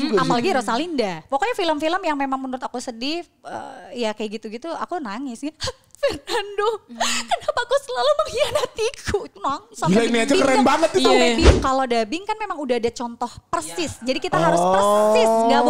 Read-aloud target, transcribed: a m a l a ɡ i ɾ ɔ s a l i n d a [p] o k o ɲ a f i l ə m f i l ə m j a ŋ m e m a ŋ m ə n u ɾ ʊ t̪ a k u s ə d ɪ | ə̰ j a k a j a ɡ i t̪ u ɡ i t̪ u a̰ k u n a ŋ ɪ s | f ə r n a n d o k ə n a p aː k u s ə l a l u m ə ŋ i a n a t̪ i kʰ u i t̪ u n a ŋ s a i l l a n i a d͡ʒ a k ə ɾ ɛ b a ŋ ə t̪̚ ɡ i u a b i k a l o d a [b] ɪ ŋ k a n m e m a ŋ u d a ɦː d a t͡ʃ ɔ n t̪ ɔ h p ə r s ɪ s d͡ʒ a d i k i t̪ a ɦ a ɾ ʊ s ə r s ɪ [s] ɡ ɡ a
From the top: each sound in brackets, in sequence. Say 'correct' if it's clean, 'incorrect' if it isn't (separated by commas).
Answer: correct, correct, correct